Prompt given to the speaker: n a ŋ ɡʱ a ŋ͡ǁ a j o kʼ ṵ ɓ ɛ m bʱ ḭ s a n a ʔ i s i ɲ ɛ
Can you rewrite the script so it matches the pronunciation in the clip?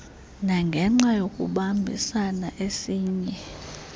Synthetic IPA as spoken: n a ŋ ɡʱ ɛ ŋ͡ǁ a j o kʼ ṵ ɓ a m bʱ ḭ s a n a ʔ e s iː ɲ ɛ